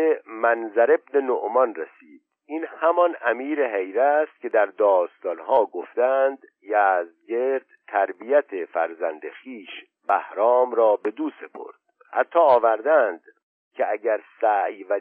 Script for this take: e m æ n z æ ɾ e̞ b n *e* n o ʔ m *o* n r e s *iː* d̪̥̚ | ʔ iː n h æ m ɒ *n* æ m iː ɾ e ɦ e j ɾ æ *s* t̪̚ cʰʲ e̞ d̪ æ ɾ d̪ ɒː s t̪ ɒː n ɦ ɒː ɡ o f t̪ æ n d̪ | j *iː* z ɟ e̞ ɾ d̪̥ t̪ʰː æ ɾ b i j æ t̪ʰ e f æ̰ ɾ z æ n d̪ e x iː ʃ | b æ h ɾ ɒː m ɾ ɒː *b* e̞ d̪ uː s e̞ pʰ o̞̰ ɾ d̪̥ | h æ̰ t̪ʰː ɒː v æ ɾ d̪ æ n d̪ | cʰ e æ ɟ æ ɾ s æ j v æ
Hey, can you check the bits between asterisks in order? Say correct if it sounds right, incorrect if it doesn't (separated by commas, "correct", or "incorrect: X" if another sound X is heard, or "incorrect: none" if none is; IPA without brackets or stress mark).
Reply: correct, incorrect: ɒ, correct, correct, correct, incorrect: æː, correct